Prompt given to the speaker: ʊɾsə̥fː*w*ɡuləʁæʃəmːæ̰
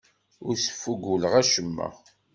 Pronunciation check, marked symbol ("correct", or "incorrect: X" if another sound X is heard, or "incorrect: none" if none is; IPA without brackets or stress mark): incorrect: u